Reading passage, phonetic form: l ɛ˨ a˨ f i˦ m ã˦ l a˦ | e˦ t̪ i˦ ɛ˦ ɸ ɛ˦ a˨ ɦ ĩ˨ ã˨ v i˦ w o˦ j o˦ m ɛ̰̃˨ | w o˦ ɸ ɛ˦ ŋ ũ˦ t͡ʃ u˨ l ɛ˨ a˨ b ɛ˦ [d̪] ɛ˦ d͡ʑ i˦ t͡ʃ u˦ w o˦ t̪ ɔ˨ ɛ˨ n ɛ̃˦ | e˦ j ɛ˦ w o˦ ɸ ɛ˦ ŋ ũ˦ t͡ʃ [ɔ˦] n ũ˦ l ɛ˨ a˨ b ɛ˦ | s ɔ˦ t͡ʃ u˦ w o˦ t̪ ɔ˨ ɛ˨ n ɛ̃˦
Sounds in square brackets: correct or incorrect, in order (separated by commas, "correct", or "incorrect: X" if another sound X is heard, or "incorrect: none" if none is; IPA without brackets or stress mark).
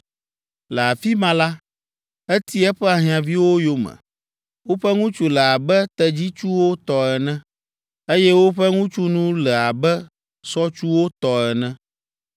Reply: incorrect: t̪, incorrect: u˦